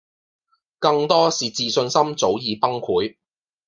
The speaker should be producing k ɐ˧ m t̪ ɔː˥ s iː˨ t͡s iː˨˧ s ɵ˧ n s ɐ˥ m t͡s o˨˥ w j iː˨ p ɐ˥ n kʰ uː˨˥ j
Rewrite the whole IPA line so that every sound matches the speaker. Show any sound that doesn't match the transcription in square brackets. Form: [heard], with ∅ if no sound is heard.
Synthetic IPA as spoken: k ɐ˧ [ŋ] t̪ ɔː˥ s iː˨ t͡s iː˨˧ s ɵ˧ n s ɐ˥ m t͡s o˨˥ w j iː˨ p ɐ˥ [ŋ] kʰ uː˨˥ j